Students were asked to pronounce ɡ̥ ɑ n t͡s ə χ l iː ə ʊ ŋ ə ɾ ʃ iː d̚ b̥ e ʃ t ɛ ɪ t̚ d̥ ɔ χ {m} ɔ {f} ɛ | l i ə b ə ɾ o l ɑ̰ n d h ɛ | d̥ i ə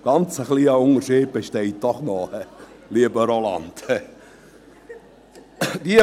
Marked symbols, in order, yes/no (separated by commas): no, no